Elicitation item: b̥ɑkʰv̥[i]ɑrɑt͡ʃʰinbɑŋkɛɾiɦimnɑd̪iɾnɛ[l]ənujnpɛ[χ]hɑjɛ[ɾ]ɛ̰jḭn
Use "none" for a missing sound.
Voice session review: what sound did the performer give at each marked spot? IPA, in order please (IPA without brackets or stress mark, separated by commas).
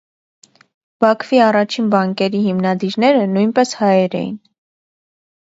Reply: i, ɾ, s, ɾ